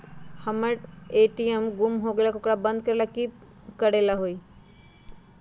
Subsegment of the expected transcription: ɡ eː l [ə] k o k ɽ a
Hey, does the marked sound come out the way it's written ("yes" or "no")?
no